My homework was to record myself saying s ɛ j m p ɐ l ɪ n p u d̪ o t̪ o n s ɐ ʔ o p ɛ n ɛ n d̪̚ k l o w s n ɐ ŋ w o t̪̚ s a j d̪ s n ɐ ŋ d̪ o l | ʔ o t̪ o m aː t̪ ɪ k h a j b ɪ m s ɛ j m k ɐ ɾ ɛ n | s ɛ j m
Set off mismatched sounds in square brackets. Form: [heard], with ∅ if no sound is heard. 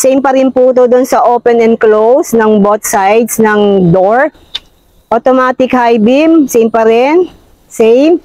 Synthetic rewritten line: s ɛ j m p ɐ [ɾ] ɪ n p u d̪ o [d̪] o n s ɐ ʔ o p ɛ n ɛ n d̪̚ k l o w s n ɐ ŋ [b] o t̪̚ s a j d̪ s n ɐ ŋ d̪ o [ɹ] | ʔ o t̪ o m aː t̪ ɪ k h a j b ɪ m s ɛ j m [p] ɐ ɾ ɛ n | s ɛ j m